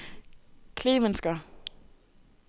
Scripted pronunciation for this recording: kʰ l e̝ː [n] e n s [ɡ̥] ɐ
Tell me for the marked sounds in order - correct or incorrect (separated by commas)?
incorrect, correct